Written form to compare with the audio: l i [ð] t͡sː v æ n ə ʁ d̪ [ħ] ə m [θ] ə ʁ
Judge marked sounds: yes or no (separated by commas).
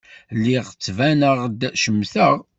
no, no, yes